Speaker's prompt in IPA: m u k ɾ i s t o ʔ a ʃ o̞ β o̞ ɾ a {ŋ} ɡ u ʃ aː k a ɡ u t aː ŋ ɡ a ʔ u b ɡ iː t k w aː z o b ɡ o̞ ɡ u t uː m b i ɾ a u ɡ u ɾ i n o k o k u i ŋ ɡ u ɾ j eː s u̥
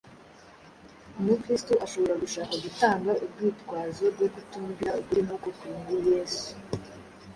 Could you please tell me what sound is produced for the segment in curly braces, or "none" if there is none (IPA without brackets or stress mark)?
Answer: none